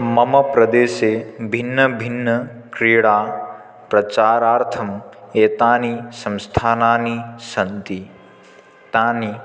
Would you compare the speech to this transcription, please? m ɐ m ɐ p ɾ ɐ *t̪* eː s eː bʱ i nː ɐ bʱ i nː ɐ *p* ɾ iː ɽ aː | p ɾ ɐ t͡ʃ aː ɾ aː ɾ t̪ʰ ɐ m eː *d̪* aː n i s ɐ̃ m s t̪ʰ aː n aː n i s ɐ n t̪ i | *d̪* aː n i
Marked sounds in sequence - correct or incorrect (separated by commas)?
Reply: incorrect, incorrect, incorrect, incorrect